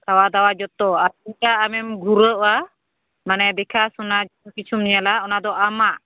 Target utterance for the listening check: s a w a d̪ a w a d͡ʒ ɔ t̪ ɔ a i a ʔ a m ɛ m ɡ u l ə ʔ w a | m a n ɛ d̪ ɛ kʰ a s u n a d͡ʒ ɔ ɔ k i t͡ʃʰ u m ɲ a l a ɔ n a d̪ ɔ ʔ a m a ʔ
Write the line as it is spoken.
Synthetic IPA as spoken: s a w a d̪ a w a d͡ʒ ɔ t̪ ɔ a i a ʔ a m ɛ m ɡ u ɾ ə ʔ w a | m a n ɛ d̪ ɛ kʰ a s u n a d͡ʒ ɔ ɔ k i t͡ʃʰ u m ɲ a l a ɔ n a d̪ ɔ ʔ a m a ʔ